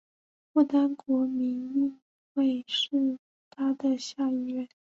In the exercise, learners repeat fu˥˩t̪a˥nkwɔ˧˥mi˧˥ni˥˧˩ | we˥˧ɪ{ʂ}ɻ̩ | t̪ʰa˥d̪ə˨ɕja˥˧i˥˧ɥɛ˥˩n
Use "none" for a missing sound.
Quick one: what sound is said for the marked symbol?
ʂ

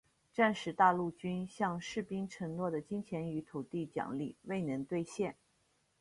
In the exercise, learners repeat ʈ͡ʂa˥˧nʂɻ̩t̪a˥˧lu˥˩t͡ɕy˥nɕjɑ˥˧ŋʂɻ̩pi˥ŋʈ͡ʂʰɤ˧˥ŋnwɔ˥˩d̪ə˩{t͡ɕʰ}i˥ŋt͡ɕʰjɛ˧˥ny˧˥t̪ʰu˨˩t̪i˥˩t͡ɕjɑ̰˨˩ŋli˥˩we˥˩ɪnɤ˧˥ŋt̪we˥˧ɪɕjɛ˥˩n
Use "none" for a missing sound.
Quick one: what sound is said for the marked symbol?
t͡ɕ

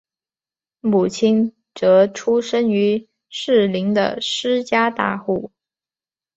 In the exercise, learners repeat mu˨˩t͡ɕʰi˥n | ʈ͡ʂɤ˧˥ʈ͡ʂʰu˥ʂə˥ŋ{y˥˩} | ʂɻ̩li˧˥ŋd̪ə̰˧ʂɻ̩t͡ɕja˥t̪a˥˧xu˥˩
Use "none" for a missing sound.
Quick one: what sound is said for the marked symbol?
y˧˥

